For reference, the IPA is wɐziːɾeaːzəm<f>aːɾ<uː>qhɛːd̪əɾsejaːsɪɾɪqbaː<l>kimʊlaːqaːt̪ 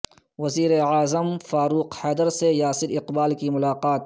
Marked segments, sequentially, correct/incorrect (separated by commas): correct, correct, correct